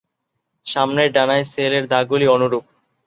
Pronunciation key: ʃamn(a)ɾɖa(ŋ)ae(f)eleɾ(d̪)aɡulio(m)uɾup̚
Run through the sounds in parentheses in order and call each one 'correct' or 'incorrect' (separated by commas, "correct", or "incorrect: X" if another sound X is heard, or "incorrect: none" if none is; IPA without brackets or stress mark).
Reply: incorrect: e, incorrect: n, incorrect: s, correct, incorrect: n